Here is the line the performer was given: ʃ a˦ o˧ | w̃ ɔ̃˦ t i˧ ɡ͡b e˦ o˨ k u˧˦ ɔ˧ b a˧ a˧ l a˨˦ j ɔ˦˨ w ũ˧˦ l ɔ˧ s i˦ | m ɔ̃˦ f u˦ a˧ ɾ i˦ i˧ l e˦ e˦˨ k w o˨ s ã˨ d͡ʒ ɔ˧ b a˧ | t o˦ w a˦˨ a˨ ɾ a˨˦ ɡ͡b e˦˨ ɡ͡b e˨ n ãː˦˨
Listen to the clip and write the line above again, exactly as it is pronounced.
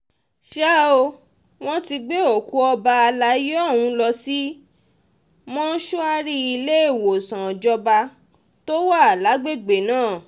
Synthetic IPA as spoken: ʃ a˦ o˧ | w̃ ɔ̃˦ t i˧ ɡ͡b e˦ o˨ k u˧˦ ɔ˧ b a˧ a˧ l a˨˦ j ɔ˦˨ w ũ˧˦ l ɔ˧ s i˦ | m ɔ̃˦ ʃ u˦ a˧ ɾ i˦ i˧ l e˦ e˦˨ w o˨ s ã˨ d͡ʒ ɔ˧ b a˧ | t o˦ w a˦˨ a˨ l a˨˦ ɡ͡b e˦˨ ɡ͡b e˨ n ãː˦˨

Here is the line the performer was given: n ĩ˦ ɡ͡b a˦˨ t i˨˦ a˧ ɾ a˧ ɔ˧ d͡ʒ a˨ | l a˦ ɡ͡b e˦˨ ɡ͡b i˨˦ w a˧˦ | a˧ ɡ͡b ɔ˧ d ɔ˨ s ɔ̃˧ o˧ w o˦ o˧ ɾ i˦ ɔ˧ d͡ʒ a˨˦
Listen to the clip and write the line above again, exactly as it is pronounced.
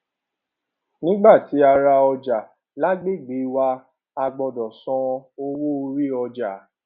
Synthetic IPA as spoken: n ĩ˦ ɡ͡b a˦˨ t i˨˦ a˧ ɾ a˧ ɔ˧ d͡ʒ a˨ | l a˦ ɡ͡b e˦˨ ɡ͡b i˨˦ w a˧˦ | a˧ ɡ͡b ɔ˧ d ɔ˨ s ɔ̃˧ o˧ w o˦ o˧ ɾ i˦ ɔ˧ d͡ʒ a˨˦

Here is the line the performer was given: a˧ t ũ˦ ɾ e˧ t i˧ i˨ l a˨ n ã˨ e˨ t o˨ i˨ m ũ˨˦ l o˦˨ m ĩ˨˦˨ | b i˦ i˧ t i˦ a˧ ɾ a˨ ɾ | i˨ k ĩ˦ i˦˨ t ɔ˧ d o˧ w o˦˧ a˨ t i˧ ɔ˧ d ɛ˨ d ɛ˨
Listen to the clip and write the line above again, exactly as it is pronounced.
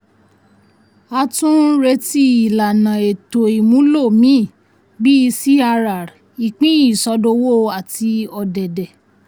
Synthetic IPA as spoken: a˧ t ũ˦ ɾ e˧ t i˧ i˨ l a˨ n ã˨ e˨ t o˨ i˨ m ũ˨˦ l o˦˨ m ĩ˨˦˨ | b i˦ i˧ s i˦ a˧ ɾ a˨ ɾ | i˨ k͡p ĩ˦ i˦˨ s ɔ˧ d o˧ w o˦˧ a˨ t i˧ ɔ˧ d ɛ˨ d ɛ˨

